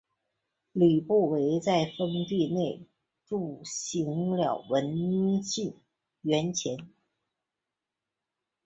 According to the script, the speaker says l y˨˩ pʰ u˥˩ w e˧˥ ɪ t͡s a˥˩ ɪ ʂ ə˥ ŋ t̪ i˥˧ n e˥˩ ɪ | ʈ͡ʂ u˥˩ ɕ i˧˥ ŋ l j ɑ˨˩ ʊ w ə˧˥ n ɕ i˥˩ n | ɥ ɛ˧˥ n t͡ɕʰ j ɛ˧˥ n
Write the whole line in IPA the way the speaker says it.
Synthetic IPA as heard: l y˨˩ p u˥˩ w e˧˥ ɪ t͡s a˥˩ ɪ f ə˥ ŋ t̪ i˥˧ n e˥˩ ɪ | ʈ͡ʂ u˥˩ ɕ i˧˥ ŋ l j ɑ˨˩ ʊ w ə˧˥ n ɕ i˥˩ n | ɥ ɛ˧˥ n t͡ɕʰ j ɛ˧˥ n